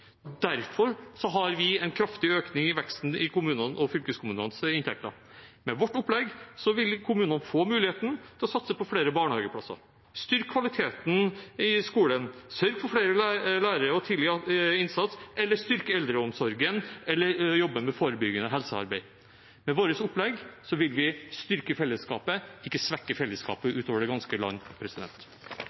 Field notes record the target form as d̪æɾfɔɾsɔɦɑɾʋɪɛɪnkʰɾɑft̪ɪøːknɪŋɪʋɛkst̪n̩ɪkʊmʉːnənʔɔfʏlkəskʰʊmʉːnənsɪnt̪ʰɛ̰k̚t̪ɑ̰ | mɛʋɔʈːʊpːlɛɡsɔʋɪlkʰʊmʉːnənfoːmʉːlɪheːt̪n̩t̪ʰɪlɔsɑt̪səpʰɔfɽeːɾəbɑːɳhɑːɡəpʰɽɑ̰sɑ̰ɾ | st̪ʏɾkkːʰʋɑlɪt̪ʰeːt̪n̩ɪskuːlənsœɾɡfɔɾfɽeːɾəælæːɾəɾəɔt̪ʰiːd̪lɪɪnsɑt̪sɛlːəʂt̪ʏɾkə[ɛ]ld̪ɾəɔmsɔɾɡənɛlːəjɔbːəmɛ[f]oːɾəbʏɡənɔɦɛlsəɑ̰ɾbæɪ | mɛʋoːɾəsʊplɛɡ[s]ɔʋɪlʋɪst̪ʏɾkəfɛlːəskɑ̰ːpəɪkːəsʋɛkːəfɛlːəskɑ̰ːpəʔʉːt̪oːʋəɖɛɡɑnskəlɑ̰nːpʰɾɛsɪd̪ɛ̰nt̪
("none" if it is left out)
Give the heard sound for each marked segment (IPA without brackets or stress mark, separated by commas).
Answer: ɛ, f, s